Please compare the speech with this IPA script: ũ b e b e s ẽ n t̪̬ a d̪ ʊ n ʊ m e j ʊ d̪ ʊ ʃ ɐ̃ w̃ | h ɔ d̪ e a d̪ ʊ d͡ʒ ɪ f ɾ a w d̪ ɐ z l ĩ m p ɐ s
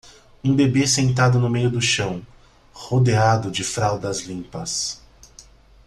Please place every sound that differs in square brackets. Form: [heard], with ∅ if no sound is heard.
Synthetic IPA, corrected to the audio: ũ b e b e s ẽ n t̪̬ a d̪ ʊ n ʊ m e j ʊ d̪ ʊ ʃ ɐ̃ w̃ | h [o] d̪ e a d̪ ʊ d͡ʒ ɪ f ɾ a w d̪ ɐ z l ĩ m p ɐ s